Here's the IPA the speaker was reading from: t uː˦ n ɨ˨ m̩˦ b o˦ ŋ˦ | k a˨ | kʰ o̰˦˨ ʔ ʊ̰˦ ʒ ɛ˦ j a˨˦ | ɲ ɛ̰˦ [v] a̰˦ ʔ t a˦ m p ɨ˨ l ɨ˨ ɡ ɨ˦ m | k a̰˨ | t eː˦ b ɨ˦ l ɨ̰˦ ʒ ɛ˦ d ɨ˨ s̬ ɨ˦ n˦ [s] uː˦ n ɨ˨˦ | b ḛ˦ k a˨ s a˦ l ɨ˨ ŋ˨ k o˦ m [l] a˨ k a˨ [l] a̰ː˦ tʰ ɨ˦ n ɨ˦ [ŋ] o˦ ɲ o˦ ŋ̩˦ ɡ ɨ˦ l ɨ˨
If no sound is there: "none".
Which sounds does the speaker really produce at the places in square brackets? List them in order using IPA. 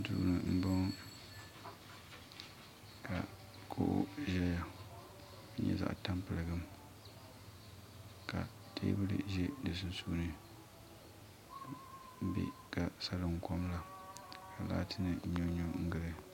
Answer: z, s, l, l, ɲ

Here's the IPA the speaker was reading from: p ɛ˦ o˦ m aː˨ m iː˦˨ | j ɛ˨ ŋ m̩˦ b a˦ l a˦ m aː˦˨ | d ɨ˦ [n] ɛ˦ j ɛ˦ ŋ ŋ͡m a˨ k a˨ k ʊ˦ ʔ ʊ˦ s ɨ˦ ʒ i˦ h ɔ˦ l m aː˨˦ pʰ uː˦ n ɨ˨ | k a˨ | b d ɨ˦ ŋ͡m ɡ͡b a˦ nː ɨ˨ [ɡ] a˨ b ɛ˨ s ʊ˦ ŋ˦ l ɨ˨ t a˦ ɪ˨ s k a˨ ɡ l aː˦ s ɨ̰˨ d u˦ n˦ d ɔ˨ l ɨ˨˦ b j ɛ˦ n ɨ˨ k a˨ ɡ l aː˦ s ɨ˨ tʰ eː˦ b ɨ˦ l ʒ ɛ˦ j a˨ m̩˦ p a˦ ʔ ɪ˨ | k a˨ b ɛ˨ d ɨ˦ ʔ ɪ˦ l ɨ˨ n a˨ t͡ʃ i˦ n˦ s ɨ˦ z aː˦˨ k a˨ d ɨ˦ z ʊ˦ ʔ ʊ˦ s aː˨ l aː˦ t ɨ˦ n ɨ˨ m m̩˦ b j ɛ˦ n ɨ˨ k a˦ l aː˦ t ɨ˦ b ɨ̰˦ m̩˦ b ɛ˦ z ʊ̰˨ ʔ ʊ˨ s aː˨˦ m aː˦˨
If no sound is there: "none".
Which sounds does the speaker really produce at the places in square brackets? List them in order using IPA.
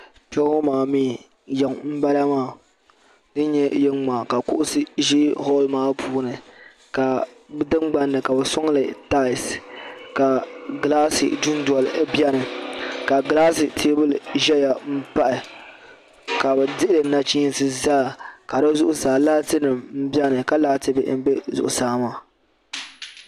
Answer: ɲ, k

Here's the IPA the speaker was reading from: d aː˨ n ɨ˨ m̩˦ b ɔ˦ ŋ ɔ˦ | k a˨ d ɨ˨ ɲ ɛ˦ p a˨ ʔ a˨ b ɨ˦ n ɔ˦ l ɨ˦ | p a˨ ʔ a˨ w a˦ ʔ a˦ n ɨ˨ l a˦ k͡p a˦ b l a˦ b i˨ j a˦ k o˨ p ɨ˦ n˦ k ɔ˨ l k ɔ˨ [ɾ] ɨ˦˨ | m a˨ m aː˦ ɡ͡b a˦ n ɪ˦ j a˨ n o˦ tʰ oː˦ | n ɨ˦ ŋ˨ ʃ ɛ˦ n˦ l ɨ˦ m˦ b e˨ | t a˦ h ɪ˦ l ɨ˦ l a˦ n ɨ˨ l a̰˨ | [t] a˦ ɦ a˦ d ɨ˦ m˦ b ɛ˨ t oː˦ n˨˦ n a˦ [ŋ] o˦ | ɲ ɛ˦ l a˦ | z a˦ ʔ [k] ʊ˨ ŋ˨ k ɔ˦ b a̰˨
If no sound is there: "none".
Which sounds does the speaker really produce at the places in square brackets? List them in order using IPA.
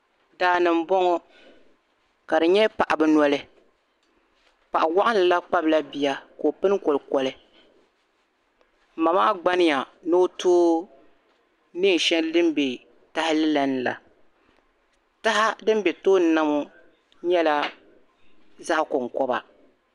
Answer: l, t, m, k

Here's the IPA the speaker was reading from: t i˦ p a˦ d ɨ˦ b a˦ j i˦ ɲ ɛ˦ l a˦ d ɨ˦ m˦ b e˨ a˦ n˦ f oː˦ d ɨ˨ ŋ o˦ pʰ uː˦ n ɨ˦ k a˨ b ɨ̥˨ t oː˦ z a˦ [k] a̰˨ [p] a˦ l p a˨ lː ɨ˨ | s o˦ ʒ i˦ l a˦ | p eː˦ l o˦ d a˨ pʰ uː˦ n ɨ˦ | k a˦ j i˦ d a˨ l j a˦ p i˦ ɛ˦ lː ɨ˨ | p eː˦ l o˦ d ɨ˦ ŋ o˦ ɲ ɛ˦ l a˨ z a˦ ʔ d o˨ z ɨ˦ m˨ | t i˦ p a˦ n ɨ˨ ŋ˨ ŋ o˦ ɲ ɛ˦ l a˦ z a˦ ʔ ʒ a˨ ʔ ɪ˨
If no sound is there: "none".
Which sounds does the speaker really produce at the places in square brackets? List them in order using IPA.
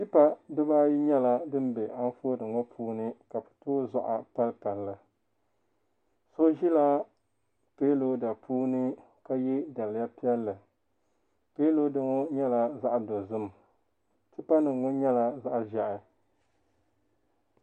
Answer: ʔ, p

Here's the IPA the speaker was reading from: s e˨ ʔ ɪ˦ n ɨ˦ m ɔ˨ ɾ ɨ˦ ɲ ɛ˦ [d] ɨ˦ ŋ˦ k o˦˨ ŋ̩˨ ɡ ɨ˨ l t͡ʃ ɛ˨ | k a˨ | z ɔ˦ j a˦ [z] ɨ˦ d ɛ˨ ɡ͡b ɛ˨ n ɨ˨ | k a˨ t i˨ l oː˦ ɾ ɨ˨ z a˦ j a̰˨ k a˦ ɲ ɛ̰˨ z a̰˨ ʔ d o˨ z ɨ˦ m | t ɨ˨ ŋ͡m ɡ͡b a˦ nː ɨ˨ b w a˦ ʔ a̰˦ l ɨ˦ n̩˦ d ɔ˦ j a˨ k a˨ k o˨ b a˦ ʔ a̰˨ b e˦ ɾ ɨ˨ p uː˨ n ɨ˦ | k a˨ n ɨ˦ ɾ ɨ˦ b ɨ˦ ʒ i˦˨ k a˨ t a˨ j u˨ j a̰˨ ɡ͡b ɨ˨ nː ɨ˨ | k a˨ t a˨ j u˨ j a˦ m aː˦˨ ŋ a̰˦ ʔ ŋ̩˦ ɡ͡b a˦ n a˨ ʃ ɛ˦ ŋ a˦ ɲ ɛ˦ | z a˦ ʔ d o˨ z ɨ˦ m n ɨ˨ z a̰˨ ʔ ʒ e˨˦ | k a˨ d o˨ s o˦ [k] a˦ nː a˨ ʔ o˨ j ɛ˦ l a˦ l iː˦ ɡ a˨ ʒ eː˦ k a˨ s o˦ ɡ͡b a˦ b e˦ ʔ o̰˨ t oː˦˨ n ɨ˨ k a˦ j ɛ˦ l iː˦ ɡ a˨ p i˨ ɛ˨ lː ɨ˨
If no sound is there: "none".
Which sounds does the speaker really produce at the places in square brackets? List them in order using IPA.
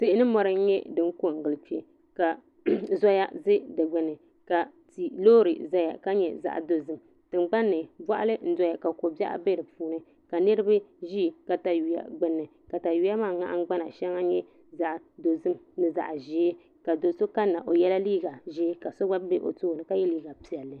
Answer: d, z, k

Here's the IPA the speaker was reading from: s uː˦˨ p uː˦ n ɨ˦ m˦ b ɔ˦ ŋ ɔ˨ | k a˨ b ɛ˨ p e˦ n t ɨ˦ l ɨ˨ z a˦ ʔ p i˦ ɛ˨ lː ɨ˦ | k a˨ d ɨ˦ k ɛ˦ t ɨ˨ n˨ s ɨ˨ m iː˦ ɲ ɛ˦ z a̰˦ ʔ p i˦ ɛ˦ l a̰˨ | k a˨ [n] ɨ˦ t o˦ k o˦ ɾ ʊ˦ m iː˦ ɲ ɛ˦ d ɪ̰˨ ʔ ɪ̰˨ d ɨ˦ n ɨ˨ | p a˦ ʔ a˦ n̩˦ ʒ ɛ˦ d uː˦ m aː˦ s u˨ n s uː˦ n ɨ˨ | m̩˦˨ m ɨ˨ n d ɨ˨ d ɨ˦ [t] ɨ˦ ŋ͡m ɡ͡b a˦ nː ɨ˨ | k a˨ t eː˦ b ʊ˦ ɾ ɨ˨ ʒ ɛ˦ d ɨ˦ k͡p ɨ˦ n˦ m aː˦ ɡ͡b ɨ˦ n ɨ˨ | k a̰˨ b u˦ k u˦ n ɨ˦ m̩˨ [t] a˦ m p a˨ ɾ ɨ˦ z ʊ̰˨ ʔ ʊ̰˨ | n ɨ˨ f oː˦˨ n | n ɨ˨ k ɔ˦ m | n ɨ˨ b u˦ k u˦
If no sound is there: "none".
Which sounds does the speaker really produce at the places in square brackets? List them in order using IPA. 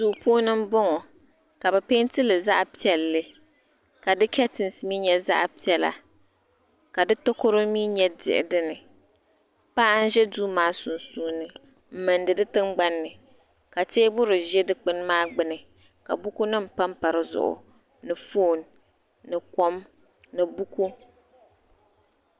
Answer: d, t, p

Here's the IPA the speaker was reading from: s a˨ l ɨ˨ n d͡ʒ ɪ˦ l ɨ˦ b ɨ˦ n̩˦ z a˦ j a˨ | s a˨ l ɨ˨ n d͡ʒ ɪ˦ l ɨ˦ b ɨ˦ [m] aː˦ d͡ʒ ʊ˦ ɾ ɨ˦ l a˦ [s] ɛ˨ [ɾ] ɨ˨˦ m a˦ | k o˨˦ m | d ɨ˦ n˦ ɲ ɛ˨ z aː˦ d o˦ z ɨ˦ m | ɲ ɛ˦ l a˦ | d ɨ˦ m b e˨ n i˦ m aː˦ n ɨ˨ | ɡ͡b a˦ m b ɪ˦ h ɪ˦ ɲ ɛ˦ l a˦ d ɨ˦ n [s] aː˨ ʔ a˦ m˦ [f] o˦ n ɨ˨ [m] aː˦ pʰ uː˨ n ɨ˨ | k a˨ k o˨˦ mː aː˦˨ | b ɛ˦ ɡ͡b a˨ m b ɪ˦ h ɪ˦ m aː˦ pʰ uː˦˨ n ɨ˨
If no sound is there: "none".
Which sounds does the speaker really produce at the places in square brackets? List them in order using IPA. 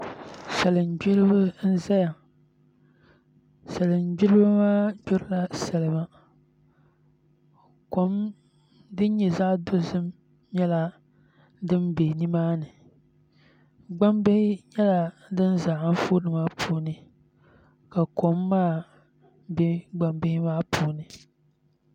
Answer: m, s, l, z, f, m

